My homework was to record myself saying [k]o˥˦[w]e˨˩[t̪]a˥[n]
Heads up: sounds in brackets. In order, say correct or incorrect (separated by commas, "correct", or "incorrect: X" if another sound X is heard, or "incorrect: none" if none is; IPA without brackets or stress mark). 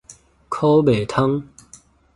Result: incorrect: kʰ, incorrect: b, incorrect: t̪ʰ, incorrect: ŋ